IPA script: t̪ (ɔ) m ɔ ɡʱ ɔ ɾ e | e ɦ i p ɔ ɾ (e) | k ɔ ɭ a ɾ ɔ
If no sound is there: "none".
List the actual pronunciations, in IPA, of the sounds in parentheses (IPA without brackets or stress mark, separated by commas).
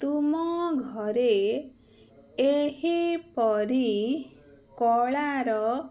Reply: u, i